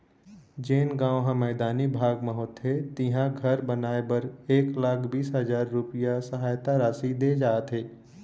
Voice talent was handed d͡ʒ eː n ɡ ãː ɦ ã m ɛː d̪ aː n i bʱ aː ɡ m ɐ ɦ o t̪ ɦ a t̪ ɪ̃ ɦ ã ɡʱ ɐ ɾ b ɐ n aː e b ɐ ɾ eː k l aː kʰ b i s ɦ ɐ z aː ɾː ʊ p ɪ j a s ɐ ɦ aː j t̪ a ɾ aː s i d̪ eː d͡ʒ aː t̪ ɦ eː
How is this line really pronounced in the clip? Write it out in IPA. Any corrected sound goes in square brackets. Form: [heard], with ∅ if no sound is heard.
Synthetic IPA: d͡ʒ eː n ɡ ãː ɦ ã m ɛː d̪ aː n i bʱ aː ɡ m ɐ ɦ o t̪ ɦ [e] t̪ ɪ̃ ɦ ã ɡʱ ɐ ɾ b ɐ n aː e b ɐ ɾ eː k l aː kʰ b [iː] s ɦ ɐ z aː ɾː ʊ p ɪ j a s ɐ ɦ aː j t̪ a ɾ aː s i d̪ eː d͡ʒ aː t̪ ɦ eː